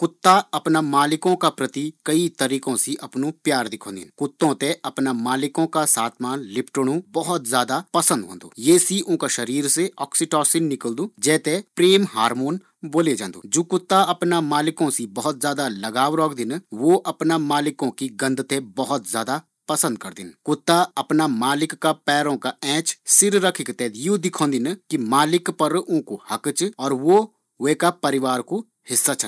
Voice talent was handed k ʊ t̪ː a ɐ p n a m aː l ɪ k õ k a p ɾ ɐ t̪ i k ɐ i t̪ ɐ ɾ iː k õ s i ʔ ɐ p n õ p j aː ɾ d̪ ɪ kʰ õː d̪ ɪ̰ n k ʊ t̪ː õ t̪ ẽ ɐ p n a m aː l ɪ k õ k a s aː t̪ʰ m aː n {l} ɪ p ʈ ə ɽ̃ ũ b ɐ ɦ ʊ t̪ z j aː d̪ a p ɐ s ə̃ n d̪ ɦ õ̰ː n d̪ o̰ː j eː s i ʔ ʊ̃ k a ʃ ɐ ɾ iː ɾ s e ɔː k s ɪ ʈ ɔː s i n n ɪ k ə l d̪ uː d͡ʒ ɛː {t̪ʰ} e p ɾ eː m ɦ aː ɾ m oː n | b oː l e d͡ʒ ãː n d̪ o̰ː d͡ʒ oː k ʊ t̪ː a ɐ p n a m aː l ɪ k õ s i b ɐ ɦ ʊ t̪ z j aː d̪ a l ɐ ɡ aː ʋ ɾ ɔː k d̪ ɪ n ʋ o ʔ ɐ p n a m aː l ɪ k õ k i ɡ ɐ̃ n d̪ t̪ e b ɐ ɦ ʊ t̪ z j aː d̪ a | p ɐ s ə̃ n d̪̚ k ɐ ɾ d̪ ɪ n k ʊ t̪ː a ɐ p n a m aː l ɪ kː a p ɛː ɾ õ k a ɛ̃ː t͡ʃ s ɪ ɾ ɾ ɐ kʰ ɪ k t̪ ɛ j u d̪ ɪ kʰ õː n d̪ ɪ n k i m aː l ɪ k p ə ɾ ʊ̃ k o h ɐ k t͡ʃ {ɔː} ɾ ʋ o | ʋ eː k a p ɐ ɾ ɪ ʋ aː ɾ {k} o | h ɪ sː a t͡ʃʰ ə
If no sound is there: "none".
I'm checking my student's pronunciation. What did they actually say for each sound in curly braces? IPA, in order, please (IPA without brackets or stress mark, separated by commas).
l, t̪, ɔː, k